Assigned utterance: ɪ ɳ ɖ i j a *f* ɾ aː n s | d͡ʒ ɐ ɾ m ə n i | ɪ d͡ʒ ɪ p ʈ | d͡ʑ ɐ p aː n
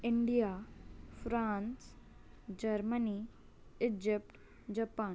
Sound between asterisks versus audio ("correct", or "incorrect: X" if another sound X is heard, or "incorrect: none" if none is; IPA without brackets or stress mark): correct